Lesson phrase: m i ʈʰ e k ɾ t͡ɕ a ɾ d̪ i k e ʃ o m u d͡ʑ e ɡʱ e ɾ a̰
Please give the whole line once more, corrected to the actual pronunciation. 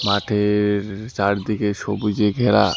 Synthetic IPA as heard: m a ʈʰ e ɾ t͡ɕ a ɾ d̪ i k e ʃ o b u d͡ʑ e ɡʱ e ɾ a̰